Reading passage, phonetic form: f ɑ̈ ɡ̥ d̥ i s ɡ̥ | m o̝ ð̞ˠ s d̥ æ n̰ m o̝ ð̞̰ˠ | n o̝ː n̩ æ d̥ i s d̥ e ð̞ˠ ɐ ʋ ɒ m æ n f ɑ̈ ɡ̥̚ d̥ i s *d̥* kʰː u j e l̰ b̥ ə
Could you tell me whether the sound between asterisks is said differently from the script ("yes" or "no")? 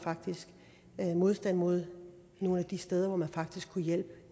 yes